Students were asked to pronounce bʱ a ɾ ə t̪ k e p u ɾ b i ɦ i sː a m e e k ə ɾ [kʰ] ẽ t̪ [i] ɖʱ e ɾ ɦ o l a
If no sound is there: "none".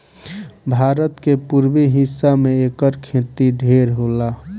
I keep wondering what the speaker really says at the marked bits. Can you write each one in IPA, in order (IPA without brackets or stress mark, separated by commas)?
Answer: kʰ, i